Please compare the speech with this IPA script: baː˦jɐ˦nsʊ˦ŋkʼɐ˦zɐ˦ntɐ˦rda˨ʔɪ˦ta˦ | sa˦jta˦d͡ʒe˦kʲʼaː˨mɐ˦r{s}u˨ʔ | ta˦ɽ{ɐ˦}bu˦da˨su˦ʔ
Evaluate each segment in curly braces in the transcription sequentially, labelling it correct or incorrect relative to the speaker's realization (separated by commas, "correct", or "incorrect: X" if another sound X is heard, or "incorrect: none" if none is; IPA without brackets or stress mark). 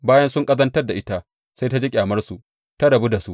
correct, incorrect: ɐ˨